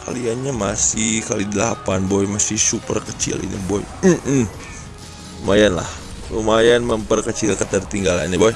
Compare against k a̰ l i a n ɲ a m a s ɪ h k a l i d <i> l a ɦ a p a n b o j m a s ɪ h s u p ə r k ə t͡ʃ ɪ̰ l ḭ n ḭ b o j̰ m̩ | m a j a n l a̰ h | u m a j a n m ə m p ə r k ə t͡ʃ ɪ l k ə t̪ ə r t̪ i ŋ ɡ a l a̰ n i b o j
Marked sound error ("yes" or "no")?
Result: no